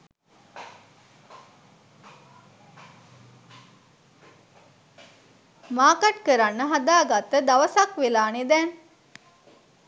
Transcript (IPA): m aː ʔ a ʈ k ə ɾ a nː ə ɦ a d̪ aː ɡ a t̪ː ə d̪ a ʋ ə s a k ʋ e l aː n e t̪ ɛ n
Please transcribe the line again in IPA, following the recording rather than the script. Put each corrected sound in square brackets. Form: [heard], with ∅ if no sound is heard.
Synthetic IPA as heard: m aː [k] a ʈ k ə ɾ a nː ə ɦ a d̪ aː ɡ a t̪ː ə d̪ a ʋ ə s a k ʋ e l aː n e [d̪] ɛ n

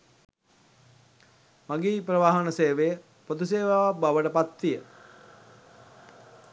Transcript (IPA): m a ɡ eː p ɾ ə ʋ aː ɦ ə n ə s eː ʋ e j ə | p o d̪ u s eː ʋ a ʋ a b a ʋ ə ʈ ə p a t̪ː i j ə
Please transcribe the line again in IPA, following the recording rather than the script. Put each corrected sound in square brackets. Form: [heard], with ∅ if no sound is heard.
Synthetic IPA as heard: m a ɡ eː p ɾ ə ʋ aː ɦ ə n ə s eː ʋ e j ə | p o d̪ u s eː ʋ a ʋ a b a ʋ ə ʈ ə p a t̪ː i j ə

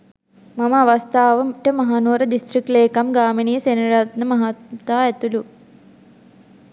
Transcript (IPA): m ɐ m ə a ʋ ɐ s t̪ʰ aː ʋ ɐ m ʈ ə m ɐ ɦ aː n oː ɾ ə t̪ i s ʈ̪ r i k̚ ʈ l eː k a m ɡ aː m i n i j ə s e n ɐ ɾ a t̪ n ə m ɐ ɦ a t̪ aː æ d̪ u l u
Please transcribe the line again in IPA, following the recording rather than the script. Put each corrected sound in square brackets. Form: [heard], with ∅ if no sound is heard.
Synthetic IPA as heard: m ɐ m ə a ʋ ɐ s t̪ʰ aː ʋ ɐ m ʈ ə m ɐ ɦ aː n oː ɾ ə [d̪] i s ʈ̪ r i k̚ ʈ l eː k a m ɡ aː m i n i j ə s e n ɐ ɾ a t̪ n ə m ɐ ɦ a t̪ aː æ [t̪] u l u

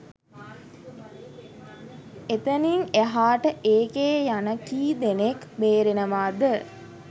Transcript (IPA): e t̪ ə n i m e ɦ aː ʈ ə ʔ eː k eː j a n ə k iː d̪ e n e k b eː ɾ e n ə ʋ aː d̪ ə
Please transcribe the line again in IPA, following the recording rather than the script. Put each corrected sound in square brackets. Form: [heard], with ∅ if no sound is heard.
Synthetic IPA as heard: e t̪ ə n i [ŋ] e ɦ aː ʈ ə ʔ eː k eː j a n ə k iː d̪ e n e k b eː ɾ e n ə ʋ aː d̪ ə

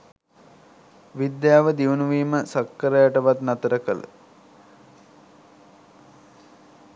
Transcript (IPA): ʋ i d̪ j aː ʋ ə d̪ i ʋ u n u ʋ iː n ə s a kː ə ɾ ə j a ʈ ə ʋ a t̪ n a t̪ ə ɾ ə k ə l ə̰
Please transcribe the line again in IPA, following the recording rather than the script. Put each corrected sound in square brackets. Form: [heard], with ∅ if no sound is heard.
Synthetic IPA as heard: ʋ i d̪ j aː ʋ ə d̪ i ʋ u n u ʋ iː [m] ə s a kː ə ɾ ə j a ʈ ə ʋ a t̪ n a t̪ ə ɾ ə k ə l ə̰

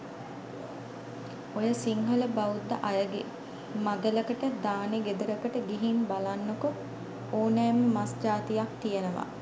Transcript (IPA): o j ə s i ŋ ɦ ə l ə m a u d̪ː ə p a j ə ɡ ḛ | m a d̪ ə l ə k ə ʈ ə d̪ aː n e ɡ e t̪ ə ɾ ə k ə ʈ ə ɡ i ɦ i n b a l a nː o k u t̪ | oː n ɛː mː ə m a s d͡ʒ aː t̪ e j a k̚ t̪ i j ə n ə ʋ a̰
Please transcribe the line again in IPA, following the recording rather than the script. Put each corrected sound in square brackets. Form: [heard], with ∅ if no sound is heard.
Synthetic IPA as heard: o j ə s i ŋ ɦ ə l ə [b] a u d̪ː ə [ʔ] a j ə ɡ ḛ | m a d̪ ə l ə k ə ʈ ə d̪ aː n e ɡ e [d̪] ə ɾ ə k ə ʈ ə ɡ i ɦ i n b a l a nː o k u [∅] | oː n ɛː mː ə m a s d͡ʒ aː t̪ [i] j a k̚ t̪ i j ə n ə ʋ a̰

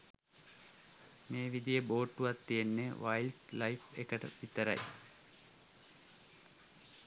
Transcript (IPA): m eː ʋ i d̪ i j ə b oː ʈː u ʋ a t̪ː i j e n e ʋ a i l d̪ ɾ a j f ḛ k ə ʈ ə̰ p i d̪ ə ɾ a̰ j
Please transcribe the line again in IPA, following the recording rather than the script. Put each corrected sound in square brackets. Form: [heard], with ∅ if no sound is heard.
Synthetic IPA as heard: m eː ʋ i d̪ i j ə b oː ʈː u ʋ a t̪ː i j e [nː] e ʋ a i l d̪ [l] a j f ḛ k ə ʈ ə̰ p i [t̪] ə ɾ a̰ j

